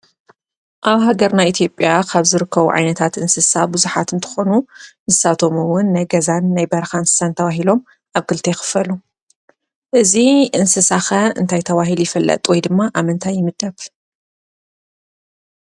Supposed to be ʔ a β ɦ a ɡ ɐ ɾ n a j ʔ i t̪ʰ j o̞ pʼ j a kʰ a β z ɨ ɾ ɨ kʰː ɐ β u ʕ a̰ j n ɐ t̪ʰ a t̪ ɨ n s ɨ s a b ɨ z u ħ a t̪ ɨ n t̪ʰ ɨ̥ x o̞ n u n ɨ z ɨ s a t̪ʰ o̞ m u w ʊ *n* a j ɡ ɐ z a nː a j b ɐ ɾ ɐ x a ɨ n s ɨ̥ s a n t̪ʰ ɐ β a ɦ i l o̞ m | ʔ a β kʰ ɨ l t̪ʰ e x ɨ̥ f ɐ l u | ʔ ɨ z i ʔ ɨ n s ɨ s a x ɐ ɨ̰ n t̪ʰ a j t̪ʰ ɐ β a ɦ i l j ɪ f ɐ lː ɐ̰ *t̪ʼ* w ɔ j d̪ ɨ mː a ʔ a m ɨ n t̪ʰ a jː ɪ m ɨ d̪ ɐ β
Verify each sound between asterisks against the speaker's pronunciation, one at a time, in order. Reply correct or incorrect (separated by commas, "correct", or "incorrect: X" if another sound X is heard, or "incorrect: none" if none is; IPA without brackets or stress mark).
incorrect: nː, correct